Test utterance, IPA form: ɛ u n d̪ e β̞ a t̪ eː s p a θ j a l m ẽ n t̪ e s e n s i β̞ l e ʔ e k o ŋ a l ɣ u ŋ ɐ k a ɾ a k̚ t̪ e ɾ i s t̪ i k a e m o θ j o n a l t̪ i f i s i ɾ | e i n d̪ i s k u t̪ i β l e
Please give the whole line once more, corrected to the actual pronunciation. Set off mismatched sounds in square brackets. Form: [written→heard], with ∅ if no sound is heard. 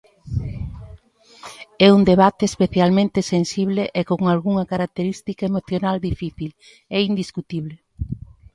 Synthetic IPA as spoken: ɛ u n d̪ e β̞ a t̪ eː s p [a→e] θ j a l m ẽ n t̪ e s e n s i β̞ l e ʔ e k o ŋ a l ɣ u ŋ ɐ k a ɾ a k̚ t̪ e ɾ i s t̪ i k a e m o θ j o n a l [t̪→d̪] i f i [s→θ] i [ɾ→l] | e i n d̪ i s k u t̪ i β l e